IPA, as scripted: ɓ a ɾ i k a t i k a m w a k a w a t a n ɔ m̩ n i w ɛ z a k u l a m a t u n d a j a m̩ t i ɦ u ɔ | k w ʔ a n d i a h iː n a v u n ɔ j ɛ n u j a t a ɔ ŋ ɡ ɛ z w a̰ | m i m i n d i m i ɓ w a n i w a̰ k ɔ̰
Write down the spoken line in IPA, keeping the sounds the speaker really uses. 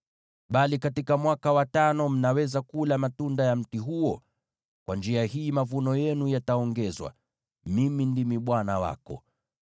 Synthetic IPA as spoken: ɓ a l i k a t i k a m w a k a w a t a n ɔ m̩ n a w ɛ z a k u l a m a t u n d a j a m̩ t i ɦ u ɔ | k w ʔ a n d͡ʒ i a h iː m a v u n ɔ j ɛ n u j a t a ɔ ŋ ɡ ɛ z w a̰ | m i m i n d i m i ɓ w a n a w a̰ k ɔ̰

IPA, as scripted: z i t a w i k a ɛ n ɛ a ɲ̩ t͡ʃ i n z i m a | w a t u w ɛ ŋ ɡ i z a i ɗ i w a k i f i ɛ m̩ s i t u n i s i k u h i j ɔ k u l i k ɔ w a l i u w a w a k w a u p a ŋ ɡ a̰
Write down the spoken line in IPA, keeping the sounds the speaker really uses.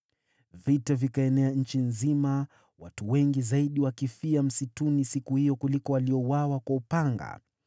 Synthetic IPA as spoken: v i t a v i k a ɛ n ɛ a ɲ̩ t͡ʃ i n z i m a | w a t u w ɛ ŋ ɡ i z a i ɗ i w a k i f i a m̩ s i t u n i s i k u h i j ɔ k u l i k ɔ w a l i ɔ w a w a k w a u p a ŋ ɡ a̰

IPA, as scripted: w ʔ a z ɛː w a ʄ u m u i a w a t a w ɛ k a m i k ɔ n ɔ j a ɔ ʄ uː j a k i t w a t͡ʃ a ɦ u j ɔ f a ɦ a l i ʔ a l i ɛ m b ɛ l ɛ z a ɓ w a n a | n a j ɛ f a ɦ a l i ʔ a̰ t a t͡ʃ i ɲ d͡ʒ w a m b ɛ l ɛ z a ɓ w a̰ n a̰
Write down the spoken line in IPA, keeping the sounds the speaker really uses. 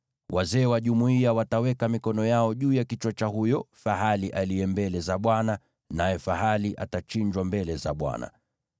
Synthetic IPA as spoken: w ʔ a z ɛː w a ʄ u m u i a w a t a w ɛ k a m i k ɔ n ɔ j a ɔ ʄ uː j a k i t͡ʃ w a t͡ʃ a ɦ u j ɔ f a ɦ a l i ʔ a l i ɛ m b ɛ l ɛ z a ɓ w a n a | n a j ɛ f a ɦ a l i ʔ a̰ t a t͡ʃ i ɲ d͡ʒ w a m b ɛ l ɛ z a ɓ w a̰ n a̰

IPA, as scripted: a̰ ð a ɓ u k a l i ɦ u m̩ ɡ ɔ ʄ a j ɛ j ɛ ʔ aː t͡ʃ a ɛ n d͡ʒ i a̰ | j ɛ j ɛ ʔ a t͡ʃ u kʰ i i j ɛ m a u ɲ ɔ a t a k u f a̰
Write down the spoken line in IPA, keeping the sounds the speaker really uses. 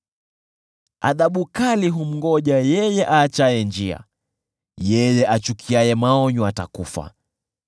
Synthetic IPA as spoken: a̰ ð a ɓ u k a l i ɦ u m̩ ɡ ɔ ʄ a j ɛ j ɛ ʔ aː t͡ʃ a ɛ n d͡ʒ i a̰ | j ɛ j ɛ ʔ a t͡ʃ u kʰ i a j ɛ m a ɔ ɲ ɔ a t a k u f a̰

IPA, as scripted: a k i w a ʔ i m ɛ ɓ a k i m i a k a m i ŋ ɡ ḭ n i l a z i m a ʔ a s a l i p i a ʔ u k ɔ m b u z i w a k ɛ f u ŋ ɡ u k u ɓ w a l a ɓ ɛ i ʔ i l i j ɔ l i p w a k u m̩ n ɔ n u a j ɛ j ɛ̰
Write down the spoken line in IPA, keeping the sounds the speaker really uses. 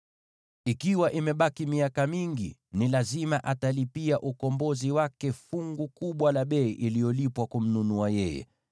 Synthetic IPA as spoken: i k i w a ʔ i m ɛ ɓ a k i m i a k a m i ŋ ɡ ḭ n i l a z i m a ʔ a t a l i p i a ʔ u k ɔ m b ɔ z i w a k ɛ f u ŋ ɡ u k u ɓ w a l a ɓ ɛ i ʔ i l i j ɔ l i p w a k u m̩ n u n u a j ɛ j ɛ̰

